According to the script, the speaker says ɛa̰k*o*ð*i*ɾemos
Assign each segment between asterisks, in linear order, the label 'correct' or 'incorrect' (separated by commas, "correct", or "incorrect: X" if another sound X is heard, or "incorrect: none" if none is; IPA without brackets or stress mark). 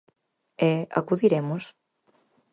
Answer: incorrect: u, correct